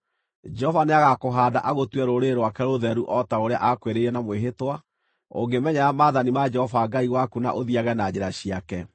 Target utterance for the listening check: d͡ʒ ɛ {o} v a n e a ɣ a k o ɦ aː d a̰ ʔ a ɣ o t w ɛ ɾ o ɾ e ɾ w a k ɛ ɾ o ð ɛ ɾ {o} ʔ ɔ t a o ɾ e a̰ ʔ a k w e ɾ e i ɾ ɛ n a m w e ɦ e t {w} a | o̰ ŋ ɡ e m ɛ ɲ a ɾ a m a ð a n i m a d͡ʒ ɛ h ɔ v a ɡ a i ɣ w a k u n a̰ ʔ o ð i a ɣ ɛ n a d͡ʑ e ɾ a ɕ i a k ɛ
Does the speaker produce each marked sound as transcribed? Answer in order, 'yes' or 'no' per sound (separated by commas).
no, no, yes